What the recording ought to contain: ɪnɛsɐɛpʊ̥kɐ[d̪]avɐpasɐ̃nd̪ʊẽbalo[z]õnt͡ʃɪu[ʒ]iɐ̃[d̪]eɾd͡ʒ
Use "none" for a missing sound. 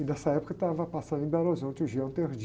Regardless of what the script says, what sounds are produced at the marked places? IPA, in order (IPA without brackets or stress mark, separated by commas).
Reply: t̪, z, ʒ, t̪